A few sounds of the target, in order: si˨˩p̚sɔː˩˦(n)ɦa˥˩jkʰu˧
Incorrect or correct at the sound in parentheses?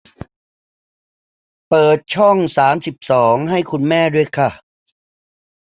incorrect: ŋ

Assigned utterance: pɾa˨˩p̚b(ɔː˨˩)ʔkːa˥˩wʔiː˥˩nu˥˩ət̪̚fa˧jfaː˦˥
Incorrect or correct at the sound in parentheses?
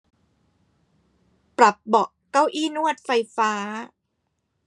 incorrect: ɔ˨˩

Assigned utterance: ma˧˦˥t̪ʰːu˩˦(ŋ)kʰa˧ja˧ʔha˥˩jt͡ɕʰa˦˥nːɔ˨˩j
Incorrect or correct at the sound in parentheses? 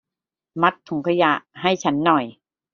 correct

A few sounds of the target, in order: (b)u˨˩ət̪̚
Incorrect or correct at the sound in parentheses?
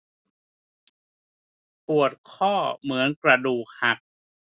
incorrect: p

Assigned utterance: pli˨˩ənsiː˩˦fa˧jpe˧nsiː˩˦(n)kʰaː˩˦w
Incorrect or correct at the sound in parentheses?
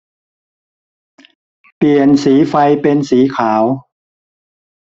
incorrect: none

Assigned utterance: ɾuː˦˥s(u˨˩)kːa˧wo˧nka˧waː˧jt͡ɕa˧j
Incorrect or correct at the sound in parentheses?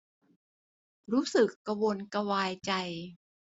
incorrect: ɯ˨˩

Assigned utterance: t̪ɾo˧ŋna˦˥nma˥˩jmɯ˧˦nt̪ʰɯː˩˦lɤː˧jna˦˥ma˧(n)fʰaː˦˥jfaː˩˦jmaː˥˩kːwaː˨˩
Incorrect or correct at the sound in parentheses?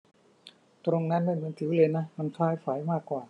correct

